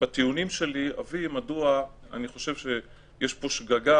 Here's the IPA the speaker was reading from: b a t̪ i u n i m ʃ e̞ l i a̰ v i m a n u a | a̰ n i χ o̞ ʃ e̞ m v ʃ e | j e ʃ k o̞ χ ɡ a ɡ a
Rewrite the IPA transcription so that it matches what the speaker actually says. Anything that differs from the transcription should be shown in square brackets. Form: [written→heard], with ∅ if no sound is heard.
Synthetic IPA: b a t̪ i u n i m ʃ e̞ l i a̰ v i m a [n→d] u a | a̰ n i χ o̞ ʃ e̞ [m→∅] v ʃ e | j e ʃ [k→p] o̞ [χ→ʃ] ɡ a ɡ a